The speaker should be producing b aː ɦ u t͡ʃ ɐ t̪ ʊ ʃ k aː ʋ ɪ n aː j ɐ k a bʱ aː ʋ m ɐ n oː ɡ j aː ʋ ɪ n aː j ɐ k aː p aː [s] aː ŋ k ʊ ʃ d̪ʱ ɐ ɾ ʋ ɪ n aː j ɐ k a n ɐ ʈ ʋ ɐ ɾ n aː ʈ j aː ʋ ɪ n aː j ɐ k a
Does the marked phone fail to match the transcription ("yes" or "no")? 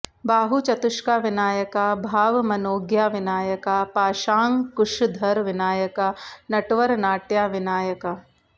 yes